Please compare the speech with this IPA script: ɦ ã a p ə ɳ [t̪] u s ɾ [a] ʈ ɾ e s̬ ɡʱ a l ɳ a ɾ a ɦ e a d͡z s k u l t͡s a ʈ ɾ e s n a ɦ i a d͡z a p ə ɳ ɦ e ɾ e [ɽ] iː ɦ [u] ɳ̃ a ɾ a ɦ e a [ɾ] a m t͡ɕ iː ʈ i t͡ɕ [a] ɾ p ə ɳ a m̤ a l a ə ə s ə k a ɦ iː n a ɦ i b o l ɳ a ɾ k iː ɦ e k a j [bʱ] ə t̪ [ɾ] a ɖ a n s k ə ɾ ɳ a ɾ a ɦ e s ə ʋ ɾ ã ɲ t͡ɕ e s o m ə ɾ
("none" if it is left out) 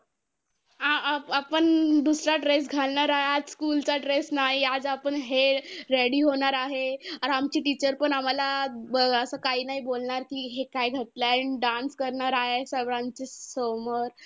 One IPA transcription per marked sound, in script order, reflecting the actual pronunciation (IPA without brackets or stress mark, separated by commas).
d̪, a, ɽ, o, ɾ, ə, ɡʱ, l